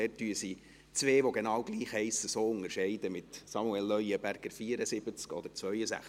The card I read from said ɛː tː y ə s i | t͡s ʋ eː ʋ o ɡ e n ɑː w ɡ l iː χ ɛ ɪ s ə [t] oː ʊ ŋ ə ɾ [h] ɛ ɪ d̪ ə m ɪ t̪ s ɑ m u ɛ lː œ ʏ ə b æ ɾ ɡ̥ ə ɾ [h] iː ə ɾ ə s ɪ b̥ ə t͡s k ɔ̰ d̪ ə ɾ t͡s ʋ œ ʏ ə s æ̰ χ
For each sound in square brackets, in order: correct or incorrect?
incorrect: s, incorrect: ʃ, incorrect: f

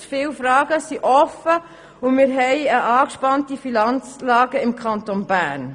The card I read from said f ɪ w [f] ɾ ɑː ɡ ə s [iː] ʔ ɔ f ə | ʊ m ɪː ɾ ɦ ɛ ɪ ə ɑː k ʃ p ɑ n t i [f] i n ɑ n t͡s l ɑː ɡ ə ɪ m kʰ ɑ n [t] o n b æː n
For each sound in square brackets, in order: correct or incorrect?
correct, incorrect: i, correct, correct

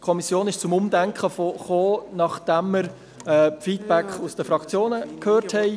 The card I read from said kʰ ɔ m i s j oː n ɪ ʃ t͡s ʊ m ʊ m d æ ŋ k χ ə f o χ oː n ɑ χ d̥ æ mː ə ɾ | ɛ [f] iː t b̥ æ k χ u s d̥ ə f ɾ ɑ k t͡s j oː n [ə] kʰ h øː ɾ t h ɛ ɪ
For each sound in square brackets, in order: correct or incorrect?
correct, correct

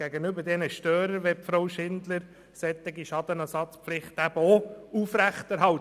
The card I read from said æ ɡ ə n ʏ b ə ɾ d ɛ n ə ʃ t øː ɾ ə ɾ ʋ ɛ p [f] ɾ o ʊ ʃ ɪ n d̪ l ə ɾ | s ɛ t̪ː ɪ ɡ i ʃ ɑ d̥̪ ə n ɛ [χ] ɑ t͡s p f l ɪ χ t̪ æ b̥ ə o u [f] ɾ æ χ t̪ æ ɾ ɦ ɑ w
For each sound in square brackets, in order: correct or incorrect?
correct, incorrect: s, correct

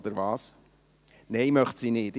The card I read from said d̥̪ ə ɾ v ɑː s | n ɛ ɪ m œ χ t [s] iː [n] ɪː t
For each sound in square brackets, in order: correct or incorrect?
correct, correct

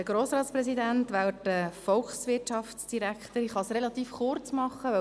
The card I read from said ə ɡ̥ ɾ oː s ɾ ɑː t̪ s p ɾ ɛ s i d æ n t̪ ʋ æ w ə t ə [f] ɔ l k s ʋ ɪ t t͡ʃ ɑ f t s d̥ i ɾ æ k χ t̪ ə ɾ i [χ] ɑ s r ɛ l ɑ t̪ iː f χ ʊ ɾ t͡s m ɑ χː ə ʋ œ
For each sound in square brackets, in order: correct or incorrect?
correct, correct

